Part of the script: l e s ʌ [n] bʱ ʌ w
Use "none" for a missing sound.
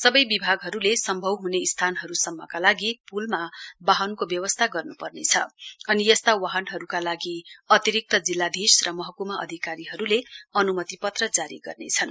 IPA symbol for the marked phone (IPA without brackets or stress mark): m